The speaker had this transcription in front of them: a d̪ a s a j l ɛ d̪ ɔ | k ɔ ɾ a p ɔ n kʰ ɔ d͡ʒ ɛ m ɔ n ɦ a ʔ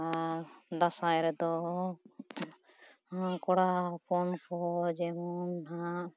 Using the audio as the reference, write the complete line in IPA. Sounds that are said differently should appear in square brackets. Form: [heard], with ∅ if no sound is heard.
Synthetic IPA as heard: a d̪ a s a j [ɾ] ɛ d̪ ɔ | k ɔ [ɽ] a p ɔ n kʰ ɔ d͡ʒ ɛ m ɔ n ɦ a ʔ